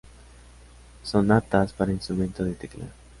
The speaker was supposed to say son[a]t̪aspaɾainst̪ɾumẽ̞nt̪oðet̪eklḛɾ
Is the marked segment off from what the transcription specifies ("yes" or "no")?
no